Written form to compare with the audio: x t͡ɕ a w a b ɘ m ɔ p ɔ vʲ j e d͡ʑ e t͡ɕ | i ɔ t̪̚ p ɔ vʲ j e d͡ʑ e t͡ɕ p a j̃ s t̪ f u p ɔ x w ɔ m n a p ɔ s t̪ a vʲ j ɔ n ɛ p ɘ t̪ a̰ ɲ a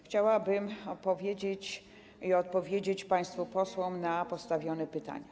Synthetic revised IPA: x t͡ɕ a w a b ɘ m ɔ p ɔ vʲ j e d͡ʑ e t͡ɕ | i ɔ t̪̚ p ɔ vʲ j e d͡ʑ e t͡ɕ p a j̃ s t̪ f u p ɔ s w ɔ m n a p ɔ s t̪ a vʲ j ɔ n ɛ p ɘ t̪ a̰ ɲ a